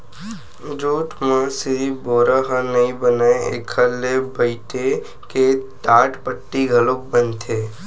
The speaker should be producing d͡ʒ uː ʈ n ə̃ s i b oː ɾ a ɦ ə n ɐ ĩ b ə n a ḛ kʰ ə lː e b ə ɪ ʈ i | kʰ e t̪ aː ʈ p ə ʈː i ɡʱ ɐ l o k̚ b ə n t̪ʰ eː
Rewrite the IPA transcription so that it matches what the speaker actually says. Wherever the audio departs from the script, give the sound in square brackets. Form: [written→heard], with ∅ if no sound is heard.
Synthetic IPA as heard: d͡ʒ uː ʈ [n→m] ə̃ s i b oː ɾ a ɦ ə n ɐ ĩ b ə n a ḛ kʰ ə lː e b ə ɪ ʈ [i→e] | [kʰ→k] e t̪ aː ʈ p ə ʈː i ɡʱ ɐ l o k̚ b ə n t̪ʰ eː